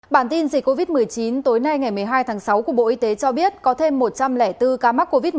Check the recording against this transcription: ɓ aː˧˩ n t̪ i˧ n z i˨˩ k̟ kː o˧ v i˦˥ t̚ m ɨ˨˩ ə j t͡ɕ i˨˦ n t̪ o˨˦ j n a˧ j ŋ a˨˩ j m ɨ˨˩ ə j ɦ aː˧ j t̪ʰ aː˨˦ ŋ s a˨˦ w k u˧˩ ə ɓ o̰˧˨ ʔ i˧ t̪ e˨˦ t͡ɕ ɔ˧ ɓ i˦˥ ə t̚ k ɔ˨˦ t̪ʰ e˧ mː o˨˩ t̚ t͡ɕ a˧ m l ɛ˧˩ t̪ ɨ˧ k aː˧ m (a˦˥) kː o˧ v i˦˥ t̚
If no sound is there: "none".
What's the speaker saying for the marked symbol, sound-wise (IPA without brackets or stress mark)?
a˦˥